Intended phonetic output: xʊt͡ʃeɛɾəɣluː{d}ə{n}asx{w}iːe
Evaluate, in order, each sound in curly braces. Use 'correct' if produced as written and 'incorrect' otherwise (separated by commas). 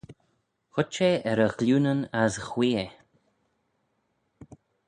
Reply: incorrect, correct, correct